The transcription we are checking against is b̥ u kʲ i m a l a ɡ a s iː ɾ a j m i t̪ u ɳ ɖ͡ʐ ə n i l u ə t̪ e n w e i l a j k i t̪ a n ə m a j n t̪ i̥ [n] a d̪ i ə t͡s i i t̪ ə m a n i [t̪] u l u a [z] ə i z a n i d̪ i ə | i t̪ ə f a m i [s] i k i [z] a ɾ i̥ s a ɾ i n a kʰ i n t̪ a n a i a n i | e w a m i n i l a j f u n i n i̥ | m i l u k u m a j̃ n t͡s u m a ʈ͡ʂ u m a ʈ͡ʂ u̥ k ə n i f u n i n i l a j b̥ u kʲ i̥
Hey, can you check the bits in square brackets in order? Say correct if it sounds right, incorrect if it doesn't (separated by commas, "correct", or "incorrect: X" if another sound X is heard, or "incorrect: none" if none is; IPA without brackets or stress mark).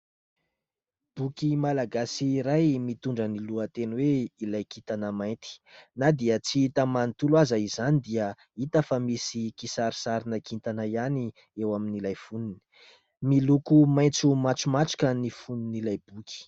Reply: correct, correct, correct, correct, incorrect: s